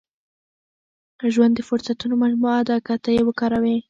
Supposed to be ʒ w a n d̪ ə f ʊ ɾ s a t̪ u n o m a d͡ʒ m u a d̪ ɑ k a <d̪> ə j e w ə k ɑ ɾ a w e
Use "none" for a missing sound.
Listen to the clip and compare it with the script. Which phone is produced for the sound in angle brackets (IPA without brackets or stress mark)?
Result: t̪